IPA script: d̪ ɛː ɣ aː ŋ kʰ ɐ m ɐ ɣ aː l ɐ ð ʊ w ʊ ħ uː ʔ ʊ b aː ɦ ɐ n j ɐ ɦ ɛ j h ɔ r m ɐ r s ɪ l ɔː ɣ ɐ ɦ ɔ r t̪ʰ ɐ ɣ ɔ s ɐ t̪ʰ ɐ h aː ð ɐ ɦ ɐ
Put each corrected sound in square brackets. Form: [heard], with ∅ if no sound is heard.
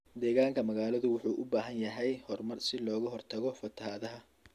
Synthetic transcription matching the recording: d̪ ɛː ɣ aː ŋ kʰ ɐ m ɐ ɣ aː l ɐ ð ʊ w ʊ ħ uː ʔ ʊ b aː ɦ ɐ n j ɐ ɦ ɛ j h ɔ r m ɐ r s ɪ l ɔː ɣ ɐ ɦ ɔ r t̪ʰ ɐ ɣ ɔ [f] ɐ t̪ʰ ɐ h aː ð ɐ ɦ ɐ